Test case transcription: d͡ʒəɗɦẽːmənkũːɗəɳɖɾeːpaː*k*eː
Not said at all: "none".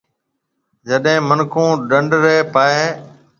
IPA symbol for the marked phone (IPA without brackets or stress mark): none